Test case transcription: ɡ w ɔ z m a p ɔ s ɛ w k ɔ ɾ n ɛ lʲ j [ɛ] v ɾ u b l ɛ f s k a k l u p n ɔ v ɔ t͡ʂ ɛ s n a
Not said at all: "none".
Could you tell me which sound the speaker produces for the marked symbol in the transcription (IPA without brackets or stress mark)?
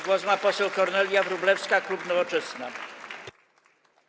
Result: a